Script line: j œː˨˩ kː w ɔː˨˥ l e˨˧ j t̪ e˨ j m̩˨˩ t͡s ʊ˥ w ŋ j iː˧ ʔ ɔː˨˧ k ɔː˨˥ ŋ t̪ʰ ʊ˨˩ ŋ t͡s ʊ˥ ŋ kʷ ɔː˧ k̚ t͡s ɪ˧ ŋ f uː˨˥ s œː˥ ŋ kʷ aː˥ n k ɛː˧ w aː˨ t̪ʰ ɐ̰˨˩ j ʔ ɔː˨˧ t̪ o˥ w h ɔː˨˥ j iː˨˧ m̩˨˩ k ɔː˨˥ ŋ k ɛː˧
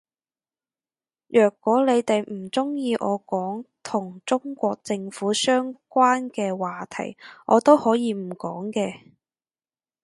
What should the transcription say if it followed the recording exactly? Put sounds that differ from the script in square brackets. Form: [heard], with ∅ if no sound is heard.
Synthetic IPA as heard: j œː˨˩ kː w ɔː˨˥ l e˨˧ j t̪ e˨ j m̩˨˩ t͡s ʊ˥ [∅] ŋ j iː˧ ʔ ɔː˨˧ k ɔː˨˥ ŋ t̪ʰ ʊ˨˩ ŋ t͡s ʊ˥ ŋ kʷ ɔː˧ k̚ t͡s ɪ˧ ŋ f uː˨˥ s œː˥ ŋ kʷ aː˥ n k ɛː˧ w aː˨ t̪ʰ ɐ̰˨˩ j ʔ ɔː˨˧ t̪ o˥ w h ɔː˨˥ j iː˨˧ m̩˨˩ k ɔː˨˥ ŋ k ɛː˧